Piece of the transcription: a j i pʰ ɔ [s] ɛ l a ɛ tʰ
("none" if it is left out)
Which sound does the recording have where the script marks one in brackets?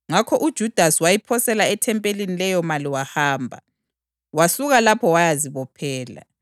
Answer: s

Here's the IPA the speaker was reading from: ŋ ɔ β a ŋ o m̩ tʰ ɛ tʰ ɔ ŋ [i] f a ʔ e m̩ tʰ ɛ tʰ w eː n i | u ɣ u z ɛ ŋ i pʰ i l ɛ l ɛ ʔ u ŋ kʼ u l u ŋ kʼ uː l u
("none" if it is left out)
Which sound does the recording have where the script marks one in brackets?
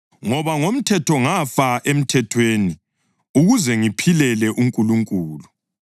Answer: a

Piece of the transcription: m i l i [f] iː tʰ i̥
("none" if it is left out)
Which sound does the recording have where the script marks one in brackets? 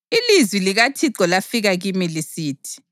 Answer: s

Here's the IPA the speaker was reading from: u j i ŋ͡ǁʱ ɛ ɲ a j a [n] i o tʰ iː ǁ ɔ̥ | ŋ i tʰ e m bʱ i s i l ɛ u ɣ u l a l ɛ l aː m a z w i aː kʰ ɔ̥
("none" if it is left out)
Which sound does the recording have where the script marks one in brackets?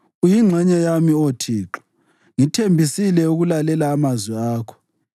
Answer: m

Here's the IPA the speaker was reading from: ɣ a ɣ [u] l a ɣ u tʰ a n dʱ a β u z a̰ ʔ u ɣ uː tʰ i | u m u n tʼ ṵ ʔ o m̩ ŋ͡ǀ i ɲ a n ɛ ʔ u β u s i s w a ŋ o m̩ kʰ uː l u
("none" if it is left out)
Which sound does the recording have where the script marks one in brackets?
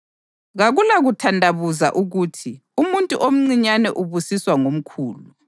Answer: u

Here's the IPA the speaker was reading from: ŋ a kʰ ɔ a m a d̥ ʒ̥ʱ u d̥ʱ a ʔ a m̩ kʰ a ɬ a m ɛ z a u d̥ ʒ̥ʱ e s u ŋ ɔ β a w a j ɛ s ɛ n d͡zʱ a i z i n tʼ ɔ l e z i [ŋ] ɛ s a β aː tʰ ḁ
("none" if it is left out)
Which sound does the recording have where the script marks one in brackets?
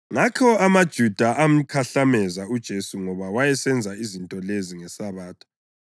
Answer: ŋ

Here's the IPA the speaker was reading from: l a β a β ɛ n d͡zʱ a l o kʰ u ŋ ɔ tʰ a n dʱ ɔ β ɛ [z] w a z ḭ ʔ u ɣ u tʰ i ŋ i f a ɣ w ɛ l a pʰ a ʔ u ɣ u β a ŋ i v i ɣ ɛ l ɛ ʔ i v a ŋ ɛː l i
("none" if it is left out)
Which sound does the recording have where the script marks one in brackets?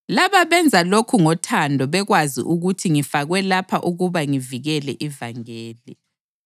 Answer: ɣ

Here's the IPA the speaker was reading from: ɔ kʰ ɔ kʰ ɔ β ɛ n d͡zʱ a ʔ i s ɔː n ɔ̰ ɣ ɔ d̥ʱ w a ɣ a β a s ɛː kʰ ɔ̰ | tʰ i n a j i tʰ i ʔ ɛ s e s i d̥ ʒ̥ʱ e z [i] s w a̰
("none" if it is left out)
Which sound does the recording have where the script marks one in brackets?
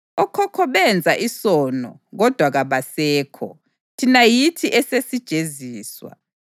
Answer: iː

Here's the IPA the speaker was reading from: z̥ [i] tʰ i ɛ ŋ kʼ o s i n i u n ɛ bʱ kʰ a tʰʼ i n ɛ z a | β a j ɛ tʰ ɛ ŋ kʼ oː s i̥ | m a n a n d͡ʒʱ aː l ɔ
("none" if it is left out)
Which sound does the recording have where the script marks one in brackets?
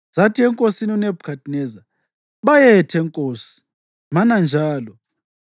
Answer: a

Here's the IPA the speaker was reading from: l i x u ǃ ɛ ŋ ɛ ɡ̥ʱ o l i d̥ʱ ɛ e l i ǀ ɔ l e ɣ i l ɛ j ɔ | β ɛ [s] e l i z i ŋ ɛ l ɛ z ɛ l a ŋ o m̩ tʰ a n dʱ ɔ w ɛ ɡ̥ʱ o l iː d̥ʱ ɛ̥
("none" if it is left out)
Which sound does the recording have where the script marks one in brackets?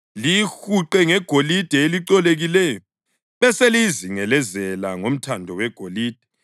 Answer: s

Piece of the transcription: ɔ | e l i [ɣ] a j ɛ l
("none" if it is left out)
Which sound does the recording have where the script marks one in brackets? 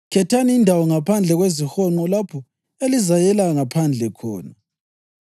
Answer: z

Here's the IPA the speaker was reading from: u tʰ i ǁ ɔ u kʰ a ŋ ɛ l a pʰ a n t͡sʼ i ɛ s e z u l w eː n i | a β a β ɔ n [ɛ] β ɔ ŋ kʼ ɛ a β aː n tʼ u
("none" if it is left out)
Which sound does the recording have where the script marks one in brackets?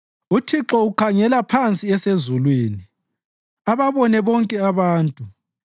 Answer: ɛ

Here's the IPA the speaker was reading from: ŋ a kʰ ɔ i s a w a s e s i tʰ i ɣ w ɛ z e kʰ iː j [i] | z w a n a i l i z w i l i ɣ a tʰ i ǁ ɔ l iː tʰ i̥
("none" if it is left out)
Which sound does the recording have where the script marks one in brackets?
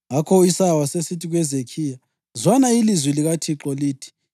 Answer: a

